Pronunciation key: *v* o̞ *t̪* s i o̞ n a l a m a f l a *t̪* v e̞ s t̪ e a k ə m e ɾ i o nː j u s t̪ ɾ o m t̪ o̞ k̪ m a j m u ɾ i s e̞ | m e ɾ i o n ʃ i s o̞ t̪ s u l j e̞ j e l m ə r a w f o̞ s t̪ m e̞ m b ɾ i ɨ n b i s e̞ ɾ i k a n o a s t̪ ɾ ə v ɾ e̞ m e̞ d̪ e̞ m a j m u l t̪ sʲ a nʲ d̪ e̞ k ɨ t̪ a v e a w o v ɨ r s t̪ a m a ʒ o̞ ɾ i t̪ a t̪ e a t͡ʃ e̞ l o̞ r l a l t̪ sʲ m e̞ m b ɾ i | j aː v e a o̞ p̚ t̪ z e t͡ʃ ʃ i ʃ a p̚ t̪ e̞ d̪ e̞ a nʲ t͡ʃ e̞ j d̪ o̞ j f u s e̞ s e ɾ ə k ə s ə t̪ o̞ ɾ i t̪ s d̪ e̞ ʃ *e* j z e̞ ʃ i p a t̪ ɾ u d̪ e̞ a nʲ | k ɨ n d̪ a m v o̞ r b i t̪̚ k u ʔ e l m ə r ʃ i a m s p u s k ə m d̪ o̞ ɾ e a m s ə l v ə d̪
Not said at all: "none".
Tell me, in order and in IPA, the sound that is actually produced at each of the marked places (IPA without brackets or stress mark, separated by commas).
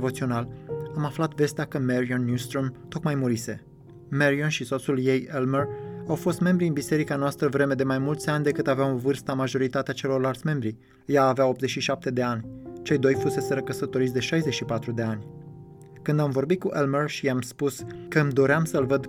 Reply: v, t̪, t̪, a